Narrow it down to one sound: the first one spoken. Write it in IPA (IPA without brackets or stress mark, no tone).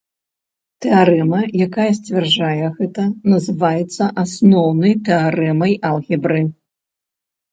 t̪